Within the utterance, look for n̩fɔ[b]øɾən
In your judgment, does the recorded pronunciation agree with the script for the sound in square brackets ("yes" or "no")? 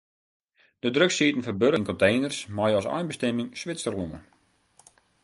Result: yes